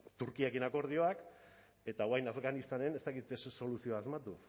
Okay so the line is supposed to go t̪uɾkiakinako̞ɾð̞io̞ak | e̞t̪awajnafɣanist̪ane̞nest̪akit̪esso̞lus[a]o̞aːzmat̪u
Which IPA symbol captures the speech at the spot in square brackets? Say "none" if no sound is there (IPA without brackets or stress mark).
i